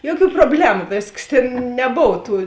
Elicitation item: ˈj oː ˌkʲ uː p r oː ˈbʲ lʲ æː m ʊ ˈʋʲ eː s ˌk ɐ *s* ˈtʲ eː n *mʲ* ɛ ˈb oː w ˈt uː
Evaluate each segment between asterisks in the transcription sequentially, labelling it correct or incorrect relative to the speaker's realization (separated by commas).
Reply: correct, incorrect